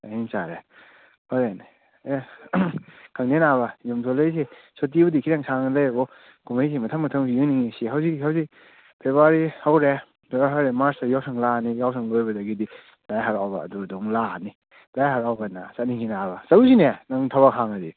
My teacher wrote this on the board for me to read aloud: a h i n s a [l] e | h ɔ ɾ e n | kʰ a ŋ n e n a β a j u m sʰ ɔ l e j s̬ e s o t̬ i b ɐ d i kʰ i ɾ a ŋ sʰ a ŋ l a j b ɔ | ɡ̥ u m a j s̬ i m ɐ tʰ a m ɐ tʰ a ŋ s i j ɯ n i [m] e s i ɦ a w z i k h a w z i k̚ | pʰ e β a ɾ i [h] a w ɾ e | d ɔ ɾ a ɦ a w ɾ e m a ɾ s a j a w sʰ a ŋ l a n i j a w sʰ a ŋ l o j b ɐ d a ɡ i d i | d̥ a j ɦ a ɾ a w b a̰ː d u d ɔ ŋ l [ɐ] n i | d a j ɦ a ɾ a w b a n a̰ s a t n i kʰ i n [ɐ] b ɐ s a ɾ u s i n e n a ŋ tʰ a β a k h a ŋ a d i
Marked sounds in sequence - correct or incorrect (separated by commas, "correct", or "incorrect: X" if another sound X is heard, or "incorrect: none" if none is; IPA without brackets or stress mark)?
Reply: incorrect: ɾ, incorrect: ŋ, correct, incorrect: a, incorrect: a